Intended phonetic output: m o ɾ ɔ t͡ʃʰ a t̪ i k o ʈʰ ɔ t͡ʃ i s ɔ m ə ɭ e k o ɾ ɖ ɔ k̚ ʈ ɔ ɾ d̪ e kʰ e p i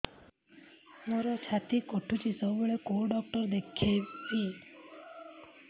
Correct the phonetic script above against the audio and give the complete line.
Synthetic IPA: m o ɾ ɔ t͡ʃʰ a t̪ i k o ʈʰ u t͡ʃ i s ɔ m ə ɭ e k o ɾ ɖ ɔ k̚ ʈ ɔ ɾ d̪ e kʰ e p i

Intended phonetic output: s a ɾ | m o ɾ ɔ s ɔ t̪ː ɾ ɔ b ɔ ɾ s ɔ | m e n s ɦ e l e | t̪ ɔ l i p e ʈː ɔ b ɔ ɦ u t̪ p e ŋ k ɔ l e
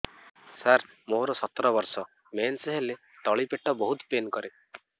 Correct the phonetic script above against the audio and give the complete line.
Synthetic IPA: s a ɾ | m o ɾ ɔ s ɔ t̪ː ɾ ɔ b ɔ ɾ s ɔ | m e n s ɦ e l e | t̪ ɔ ɭ i p e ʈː ɔ b ɔ ɦ u t̪ p e n k ɔ ɾ e

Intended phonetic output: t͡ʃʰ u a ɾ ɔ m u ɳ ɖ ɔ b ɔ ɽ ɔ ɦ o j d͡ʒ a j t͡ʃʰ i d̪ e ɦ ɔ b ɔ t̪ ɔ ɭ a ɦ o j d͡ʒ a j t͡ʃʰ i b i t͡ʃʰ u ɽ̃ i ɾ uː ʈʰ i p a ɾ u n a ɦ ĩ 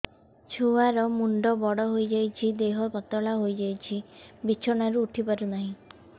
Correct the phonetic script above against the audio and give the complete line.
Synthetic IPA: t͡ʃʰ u a ɾ ɔ m u ɳ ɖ ɔ b ɔ ɽ ɔ ɦ o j d͡ʒ a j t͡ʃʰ i d̪ e ɦ ɔ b ɔ t̪ ɔ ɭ a ɦ o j d͡ʒ a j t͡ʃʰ i b i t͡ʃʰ ɔ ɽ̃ a ɾ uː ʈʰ i p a ɾ u n a ɦ ĩ

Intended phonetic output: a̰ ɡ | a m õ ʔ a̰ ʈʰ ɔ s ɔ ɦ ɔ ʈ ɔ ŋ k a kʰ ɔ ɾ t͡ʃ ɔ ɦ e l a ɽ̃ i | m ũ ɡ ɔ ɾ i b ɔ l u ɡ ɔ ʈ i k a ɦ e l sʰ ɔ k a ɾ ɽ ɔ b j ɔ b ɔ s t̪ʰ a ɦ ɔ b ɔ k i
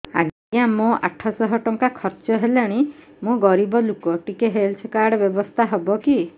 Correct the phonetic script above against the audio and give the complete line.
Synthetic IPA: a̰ ɡ | a m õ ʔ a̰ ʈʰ ɔ s ɔ ɦ ɔ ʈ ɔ ŋ k a kʰ ɔ ɾ t͡ʃ ɔ ɦ e l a ɽ̃ i | m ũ ɡ ɔ ɾ i b ɔ l u k ɔ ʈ i k e ɦ e l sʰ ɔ k a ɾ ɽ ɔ b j ɔ b ɔ s t̪ʰ a ɦ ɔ b ɔ k i

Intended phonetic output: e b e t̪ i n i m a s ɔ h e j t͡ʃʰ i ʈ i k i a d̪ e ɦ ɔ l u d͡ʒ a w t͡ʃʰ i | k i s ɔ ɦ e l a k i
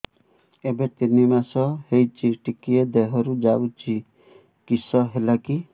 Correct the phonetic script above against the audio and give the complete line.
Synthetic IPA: e b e t̪ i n i m a s ɔ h e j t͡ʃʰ i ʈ i k i e d̪ e ɦ ɔ ɾ u d͡ʒ a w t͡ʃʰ i | k i s ɔ ɦ e l a k i

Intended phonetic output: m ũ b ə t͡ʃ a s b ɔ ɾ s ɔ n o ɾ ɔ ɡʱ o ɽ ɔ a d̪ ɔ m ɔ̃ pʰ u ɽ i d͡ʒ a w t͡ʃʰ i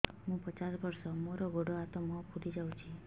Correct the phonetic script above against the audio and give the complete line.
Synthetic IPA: m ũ p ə t͡ʃ a s b ɔ ɾ s ɔ m o ɾ ɔ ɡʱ o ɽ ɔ a t̪ ɔ m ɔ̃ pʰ u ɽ i d͡ʒ a w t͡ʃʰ i

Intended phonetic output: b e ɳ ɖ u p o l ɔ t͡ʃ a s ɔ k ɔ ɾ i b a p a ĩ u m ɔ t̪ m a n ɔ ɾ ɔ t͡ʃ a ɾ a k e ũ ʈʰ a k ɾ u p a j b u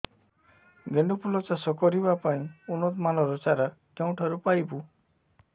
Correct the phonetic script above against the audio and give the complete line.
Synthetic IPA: ɡ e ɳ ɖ u p u l ɔ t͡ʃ a s ɔ k ɔ ɾ i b a p a ĩ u n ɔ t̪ m a n ɔ ɾ ɔ t͡ʃ a ɾ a k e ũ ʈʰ a ɾ u p a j b u

